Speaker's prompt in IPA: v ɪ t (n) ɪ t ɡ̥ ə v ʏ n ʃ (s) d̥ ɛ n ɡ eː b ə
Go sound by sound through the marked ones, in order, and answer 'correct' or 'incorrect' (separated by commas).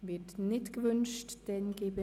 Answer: correct, incorrect